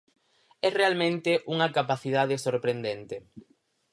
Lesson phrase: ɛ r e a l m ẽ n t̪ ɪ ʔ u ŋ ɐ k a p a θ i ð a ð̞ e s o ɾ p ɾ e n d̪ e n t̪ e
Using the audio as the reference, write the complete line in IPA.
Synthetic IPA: ɛ r e a l m ẽ n t̪ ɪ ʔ u ŋ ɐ k a p a θ i ð a ð̞ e s o ɾ p ɾ e n d̪ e n t̪ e